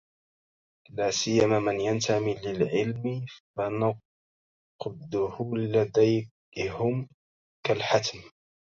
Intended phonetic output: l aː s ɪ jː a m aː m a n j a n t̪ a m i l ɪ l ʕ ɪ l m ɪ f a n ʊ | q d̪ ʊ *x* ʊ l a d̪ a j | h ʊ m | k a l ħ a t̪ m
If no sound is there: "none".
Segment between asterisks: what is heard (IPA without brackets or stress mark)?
h